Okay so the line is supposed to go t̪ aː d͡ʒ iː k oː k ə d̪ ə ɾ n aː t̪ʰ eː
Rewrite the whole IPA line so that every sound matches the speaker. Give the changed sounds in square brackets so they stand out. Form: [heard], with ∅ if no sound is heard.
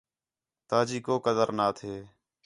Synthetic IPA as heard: t̪ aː d͡ʒ iː k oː k ə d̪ ə ɾ n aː t̪ʰ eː